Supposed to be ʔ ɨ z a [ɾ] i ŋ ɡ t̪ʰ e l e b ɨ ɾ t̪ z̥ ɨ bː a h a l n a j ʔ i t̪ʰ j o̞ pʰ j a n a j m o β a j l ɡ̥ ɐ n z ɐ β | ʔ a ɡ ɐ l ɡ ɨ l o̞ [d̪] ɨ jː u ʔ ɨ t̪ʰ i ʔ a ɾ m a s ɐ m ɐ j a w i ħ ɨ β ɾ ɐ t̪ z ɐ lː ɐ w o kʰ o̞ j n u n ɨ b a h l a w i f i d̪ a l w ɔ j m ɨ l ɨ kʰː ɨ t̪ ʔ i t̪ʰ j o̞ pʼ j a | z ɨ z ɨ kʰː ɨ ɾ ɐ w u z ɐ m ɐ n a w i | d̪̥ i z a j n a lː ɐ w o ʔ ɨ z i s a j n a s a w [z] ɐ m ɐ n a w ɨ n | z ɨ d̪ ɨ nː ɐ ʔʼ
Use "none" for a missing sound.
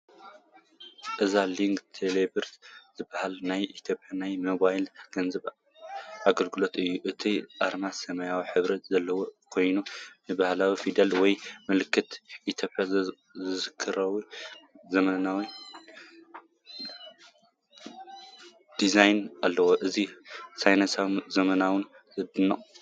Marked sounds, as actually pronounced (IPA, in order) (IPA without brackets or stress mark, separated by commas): l, t̪, z